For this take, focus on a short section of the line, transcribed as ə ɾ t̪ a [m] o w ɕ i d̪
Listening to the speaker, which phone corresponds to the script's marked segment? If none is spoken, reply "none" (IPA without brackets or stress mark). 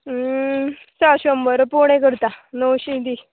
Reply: n